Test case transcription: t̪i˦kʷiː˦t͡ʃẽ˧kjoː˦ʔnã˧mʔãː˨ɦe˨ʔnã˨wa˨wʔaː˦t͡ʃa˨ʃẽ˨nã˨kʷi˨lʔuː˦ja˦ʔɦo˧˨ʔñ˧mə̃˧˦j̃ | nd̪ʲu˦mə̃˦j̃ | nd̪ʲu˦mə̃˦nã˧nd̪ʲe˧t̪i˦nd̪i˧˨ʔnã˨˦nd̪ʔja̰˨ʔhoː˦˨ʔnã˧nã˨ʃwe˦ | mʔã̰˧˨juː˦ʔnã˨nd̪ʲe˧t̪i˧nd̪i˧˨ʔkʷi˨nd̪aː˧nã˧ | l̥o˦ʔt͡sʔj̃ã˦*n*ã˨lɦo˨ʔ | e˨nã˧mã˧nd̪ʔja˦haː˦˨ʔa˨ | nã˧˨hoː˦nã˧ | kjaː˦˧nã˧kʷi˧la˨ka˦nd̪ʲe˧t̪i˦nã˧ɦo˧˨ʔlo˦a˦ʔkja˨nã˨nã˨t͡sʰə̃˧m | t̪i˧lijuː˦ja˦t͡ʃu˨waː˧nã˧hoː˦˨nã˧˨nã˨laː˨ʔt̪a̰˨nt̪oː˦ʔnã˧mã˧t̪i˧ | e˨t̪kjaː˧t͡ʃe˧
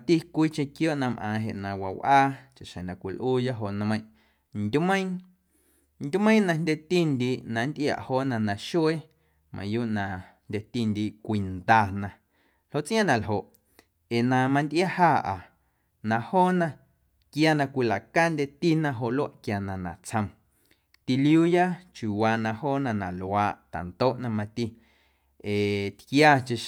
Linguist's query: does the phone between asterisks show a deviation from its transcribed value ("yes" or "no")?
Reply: no